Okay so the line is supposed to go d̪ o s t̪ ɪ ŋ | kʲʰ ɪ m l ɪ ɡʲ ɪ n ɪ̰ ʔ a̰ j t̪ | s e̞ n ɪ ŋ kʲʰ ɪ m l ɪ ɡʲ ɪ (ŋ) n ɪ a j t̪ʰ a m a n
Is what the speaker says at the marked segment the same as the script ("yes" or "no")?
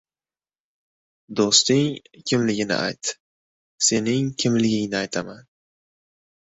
yes